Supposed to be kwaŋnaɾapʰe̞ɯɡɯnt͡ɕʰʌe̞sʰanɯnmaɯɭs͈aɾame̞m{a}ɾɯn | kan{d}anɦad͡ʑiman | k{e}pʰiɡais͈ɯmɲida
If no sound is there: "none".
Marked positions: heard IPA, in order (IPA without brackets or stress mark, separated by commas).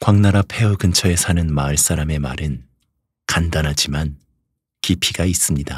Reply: a, d, i